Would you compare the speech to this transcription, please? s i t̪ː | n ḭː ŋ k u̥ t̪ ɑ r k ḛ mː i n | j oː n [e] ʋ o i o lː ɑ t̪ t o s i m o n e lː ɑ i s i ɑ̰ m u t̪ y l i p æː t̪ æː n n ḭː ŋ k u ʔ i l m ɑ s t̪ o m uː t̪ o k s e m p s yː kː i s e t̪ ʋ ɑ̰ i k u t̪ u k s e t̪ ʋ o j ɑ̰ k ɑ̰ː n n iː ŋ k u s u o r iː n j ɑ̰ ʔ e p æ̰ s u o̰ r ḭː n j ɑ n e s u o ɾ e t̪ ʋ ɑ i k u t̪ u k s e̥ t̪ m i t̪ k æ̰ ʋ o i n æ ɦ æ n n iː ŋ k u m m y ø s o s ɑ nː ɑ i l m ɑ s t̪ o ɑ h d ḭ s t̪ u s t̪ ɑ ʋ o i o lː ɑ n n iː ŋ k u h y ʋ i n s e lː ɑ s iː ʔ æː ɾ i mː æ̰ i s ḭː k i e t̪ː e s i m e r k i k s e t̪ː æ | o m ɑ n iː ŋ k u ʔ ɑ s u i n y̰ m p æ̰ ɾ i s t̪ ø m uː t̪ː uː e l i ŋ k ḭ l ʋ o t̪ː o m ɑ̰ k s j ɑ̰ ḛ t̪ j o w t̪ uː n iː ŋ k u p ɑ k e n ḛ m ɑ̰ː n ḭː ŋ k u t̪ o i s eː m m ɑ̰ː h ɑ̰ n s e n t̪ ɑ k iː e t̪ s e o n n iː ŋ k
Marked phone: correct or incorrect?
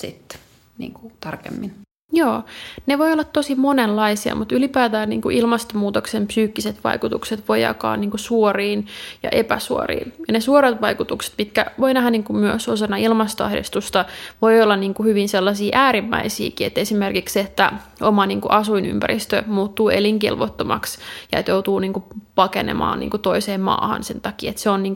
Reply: correct